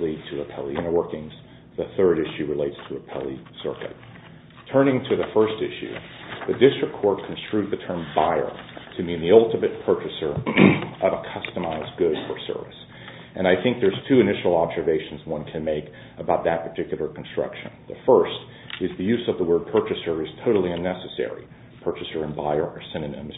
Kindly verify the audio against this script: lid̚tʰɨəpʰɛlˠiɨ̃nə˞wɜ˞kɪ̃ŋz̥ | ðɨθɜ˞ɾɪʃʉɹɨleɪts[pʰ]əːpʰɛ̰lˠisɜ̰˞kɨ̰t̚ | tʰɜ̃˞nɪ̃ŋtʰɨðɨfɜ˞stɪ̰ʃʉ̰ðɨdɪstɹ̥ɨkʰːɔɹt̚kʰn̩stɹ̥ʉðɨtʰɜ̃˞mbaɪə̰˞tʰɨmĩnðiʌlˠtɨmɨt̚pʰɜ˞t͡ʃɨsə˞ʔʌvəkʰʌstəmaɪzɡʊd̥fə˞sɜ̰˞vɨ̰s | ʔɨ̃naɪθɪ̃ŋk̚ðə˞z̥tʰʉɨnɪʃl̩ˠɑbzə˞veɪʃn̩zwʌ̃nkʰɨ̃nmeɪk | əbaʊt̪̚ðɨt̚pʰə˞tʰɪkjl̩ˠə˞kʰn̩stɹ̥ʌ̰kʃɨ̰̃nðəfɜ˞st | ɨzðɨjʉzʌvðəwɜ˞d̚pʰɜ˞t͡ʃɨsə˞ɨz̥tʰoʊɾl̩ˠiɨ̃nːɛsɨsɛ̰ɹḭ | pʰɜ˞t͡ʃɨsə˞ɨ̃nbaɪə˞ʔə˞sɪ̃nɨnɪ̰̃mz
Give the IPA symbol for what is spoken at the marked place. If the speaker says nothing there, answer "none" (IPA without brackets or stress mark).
tʰ